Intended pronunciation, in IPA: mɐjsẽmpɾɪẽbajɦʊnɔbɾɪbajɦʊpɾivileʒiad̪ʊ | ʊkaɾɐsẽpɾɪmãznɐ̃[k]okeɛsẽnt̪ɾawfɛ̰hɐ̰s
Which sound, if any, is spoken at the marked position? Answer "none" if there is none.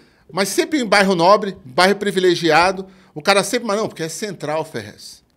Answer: p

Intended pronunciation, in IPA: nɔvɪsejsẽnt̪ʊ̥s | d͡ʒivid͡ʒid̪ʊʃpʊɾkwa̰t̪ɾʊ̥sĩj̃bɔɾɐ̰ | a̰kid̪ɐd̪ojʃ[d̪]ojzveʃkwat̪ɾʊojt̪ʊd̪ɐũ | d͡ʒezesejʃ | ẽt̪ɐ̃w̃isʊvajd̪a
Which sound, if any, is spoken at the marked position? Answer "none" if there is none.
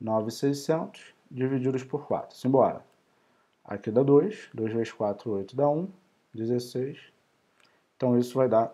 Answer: d̪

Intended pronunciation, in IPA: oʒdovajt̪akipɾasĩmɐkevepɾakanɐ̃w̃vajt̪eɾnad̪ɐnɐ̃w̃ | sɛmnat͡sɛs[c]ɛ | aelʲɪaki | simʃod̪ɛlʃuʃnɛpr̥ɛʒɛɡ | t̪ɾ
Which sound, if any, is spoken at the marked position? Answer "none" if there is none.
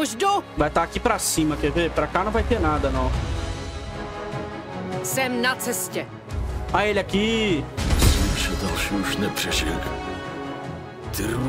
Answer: c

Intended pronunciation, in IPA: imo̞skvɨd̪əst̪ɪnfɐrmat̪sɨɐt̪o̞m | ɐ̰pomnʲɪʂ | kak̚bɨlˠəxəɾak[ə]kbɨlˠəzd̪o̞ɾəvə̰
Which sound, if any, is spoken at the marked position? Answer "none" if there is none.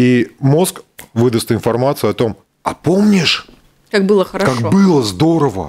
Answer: a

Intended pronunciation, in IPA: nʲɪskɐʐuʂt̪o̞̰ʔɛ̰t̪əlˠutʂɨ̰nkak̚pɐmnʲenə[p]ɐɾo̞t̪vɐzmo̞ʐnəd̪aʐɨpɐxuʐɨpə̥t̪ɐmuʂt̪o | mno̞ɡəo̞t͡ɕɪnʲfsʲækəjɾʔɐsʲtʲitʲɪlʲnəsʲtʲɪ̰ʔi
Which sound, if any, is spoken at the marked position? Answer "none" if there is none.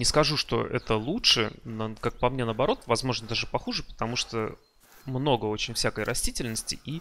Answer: b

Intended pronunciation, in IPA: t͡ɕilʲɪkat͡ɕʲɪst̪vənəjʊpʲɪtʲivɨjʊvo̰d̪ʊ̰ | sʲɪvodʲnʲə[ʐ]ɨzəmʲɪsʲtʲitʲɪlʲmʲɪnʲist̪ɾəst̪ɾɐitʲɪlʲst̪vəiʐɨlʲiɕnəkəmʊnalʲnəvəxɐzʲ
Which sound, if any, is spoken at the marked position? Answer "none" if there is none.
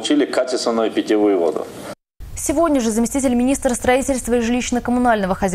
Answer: ʐ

